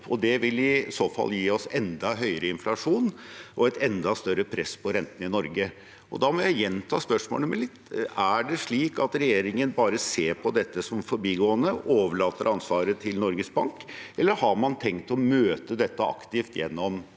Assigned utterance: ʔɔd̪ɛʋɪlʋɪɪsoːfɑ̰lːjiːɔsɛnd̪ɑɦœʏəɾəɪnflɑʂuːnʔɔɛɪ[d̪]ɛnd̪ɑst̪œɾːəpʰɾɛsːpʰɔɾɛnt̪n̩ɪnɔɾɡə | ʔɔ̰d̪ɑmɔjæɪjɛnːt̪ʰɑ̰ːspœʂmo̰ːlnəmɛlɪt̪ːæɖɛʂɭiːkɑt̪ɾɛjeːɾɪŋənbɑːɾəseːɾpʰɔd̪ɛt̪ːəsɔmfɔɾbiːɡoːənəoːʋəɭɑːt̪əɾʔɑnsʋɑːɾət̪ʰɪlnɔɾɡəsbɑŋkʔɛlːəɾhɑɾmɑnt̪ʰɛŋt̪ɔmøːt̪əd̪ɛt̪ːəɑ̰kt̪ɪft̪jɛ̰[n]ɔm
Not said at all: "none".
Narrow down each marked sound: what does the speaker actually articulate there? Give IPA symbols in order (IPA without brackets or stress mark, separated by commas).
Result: t̪, nː